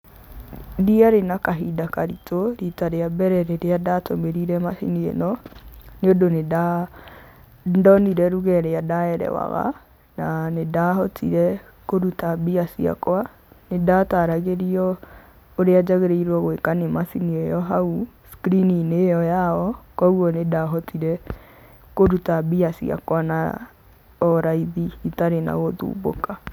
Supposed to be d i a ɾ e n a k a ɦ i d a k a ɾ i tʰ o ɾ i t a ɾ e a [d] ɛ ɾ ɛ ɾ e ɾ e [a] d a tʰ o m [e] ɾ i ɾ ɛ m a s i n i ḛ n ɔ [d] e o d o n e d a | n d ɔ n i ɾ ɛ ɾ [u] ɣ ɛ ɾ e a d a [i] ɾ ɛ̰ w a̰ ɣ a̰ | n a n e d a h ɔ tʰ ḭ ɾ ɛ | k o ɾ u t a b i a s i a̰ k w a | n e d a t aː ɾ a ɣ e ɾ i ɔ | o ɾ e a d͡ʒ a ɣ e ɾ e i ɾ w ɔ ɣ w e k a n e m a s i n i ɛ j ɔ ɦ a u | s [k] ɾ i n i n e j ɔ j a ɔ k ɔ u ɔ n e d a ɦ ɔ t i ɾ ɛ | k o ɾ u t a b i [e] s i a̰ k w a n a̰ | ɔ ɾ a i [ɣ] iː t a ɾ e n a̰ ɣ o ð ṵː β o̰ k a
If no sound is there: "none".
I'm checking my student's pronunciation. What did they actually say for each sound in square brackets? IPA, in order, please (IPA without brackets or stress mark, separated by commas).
b, a, e, n, u, ɛ, k, a, ð